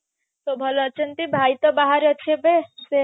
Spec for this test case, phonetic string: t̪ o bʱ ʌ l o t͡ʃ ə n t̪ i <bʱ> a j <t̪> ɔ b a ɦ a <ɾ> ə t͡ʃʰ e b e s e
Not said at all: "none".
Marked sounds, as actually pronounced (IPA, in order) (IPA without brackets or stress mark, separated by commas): bʱ, t̪, ɾ